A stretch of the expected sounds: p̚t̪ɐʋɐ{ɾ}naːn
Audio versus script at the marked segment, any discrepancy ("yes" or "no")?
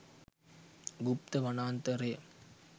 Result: yes